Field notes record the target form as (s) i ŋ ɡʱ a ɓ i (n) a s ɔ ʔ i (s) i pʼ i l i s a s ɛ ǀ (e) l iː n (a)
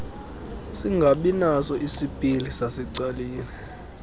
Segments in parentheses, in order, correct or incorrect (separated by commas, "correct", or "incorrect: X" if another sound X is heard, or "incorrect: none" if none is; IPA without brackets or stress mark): correct, correct, correct, incorrect: a, incorrect: i